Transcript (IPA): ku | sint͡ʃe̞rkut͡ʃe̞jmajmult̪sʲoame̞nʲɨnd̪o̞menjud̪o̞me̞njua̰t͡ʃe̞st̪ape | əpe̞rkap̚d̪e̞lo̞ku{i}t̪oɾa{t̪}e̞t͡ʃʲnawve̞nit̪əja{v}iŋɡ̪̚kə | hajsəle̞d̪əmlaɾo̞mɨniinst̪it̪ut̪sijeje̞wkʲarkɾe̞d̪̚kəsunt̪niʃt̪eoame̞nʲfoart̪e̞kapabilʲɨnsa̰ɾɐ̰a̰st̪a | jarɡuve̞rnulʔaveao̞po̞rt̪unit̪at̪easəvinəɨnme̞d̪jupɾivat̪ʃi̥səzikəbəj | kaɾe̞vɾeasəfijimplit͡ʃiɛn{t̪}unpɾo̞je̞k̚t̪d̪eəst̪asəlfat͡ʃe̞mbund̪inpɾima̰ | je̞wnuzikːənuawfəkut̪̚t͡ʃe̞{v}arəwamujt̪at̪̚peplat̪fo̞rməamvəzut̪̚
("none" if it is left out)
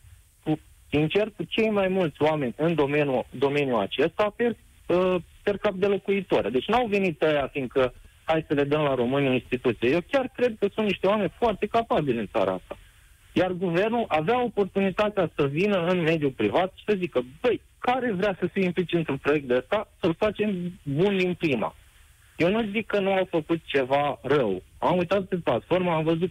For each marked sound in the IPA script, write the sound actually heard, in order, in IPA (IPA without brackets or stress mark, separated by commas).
i, d̪, f, t̪, v